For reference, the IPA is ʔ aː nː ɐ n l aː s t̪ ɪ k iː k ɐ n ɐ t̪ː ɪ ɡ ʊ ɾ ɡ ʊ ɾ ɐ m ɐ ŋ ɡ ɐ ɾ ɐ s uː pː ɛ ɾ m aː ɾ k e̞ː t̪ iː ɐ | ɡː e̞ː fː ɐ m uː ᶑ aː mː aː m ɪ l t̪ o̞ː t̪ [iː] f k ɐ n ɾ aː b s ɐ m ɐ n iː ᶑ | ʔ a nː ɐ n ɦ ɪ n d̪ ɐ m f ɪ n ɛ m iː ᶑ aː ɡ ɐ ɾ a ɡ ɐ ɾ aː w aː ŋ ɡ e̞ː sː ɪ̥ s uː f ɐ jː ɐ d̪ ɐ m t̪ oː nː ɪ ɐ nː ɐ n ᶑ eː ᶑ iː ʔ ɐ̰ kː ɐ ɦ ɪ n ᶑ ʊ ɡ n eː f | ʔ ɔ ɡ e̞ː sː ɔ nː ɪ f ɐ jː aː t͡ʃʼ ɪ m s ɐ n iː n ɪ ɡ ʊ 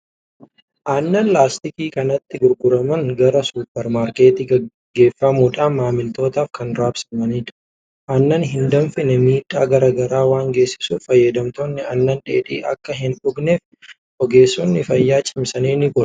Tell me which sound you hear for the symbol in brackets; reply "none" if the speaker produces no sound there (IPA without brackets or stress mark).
aː